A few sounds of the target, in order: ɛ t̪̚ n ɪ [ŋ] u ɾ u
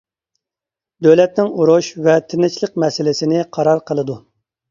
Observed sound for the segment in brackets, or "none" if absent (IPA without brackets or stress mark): ŋ